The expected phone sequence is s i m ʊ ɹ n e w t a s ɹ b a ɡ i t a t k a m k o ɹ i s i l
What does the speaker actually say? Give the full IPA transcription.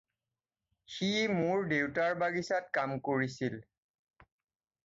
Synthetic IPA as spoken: x i m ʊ ɹ d e w t a ɹ b a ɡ i s a t k a m k o ɹ i s i l